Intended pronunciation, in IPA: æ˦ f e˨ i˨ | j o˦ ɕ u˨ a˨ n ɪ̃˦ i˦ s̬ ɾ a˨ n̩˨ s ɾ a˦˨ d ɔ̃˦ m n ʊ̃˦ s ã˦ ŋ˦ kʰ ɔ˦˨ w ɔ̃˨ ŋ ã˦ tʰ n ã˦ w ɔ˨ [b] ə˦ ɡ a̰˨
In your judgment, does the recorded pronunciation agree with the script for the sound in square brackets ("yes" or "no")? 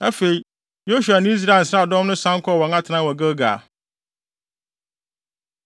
no